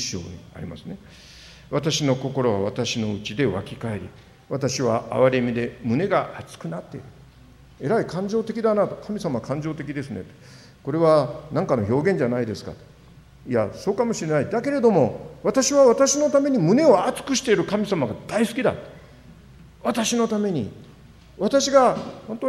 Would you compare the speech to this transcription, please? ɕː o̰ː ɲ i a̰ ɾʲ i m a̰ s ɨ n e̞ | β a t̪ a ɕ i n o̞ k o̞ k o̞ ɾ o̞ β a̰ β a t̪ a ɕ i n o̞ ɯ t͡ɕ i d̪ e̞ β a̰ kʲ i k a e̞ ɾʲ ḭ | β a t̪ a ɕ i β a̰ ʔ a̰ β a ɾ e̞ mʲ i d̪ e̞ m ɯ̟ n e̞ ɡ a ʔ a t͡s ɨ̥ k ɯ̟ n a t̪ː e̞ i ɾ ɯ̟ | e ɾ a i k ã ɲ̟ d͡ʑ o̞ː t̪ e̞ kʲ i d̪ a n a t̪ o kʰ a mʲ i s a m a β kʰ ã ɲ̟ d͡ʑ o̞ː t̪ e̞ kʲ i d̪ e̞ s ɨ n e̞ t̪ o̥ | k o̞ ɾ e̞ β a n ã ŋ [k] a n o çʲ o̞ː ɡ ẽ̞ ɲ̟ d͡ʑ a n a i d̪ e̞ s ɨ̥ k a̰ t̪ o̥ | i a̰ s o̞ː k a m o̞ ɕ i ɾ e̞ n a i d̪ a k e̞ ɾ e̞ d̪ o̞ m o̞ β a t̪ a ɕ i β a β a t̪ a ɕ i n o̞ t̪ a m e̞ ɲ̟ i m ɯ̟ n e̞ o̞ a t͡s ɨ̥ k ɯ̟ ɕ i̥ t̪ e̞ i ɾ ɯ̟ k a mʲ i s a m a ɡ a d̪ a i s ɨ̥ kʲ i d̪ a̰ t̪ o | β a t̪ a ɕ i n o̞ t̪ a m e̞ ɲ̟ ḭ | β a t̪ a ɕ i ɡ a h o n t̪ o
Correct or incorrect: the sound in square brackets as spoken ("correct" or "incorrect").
correct